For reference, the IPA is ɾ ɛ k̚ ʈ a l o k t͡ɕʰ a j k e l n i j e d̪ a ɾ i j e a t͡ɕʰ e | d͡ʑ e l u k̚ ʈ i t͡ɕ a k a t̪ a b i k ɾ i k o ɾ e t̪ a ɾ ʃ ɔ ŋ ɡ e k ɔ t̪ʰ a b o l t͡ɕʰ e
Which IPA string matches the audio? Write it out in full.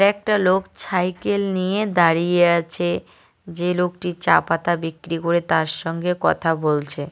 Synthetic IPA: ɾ ɛ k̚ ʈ a l o k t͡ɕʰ a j k e l n i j e d̪ a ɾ i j e a t͡ɕʰ e | d͡ʑ e l o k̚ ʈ i t͡ɕ a p a t̪ a b i k ɾ i k o ɾ e t̪ a ɾ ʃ ɔ ŋ ɡ e k ɔ t̪ʰ a b o l t͡ɕʰ e